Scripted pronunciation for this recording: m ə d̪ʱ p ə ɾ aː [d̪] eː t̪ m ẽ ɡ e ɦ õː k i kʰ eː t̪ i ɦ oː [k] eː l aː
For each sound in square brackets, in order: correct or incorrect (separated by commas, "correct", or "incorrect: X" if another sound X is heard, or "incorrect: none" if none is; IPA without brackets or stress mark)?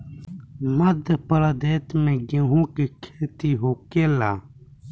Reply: correct, correct